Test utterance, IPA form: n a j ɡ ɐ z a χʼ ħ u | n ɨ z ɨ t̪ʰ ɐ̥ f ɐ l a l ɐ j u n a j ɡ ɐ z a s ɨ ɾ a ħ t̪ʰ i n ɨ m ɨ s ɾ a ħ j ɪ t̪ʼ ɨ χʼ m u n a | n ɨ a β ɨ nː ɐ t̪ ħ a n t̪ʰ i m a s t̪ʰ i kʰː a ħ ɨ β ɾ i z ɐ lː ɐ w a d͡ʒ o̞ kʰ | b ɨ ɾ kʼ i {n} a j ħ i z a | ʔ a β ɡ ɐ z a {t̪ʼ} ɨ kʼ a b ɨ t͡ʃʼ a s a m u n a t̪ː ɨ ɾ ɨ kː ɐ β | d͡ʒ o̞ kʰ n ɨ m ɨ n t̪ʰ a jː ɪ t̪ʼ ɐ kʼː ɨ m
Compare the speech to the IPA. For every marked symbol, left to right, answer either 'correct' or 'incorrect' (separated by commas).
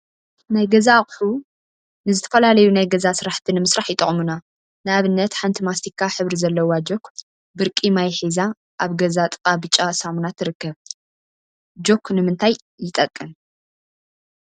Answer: incorrect, correct